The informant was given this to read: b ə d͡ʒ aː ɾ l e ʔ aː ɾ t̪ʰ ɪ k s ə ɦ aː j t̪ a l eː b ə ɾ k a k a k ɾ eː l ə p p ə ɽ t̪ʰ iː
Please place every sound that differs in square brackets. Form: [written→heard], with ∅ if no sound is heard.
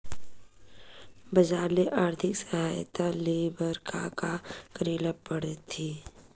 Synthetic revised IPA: b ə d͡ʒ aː ɾ l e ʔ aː ɾ t̪ʰ ɪ k s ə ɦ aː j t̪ a l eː b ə ɾ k a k a k ɾ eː l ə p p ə ɽ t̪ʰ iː